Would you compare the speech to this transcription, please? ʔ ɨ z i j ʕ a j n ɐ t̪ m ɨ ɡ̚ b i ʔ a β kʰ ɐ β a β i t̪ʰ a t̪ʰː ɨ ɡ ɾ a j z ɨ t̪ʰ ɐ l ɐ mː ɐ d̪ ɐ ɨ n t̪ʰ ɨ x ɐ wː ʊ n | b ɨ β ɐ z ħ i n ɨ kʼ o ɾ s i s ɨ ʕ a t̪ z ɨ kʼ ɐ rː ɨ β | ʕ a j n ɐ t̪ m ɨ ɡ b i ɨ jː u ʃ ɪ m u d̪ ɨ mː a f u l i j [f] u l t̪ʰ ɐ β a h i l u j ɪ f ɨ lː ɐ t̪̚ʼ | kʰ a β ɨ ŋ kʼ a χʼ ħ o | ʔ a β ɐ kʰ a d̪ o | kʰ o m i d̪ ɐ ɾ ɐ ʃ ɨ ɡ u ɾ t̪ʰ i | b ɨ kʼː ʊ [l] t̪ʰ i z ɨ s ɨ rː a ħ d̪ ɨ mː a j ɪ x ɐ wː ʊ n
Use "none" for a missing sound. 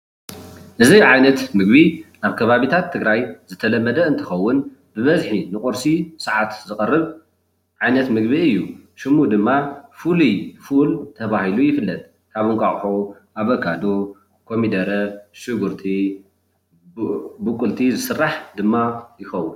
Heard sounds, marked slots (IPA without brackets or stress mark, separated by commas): f, l